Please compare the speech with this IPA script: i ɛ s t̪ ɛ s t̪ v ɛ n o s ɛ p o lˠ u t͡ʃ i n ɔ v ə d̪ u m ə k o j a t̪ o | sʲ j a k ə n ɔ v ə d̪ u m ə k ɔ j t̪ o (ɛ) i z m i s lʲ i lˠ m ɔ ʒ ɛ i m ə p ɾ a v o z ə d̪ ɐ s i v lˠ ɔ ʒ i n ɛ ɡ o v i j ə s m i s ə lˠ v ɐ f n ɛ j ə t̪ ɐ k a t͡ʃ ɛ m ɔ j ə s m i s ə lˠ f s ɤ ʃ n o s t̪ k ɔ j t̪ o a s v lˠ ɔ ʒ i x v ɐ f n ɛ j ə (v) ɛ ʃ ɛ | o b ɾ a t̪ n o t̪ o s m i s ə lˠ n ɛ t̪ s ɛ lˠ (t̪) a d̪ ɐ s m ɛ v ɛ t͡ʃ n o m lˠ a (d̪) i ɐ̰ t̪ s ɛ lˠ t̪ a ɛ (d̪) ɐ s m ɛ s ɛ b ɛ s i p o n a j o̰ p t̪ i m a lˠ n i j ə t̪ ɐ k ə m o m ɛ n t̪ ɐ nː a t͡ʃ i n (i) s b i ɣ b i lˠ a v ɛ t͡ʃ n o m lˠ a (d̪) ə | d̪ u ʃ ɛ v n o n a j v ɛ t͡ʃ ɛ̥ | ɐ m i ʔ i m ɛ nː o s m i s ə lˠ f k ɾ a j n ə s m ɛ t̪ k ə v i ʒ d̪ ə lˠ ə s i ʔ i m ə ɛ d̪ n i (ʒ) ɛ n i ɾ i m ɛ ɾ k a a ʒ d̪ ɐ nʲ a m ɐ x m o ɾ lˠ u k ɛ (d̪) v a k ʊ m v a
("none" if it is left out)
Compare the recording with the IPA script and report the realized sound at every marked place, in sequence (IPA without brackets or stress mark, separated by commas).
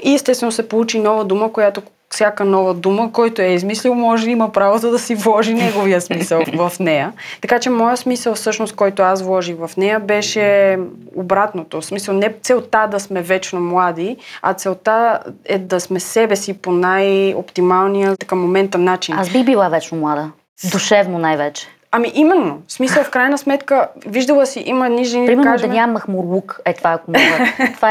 ɛ, b, t̪, d̪, d̪, a, d̪, ʒ, t̪